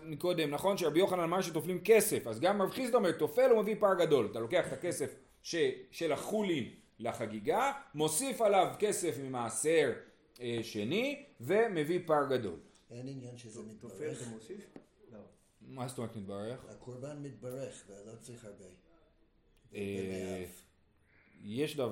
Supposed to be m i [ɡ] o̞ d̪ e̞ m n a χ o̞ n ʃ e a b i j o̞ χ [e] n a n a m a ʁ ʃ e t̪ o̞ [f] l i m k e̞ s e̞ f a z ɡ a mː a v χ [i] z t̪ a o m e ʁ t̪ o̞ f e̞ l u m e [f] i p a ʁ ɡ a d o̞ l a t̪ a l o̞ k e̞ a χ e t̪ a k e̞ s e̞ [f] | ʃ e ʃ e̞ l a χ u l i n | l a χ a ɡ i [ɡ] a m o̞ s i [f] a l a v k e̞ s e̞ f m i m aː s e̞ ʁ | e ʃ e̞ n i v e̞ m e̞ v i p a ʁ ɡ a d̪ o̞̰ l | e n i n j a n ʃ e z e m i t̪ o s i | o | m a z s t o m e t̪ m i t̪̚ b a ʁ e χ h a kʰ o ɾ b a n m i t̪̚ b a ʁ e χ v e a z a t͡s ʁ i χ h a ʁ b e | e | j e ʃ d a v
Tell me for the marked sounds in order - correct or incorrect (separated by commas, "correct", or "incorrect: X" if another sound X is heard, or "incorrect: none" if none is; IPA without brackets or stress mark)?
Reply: incorrect: k, incorrect: a, correct, correct, incorrect: v, correct, correct, correct